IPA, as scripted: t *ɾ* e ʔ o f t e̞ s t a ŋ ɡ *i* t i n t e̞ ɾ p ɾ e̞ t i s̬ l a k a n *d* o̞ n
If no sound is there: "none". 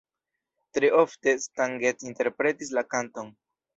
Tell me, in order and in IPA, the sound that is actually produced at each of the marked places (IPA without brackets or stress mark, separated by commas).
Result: ɾ, e, t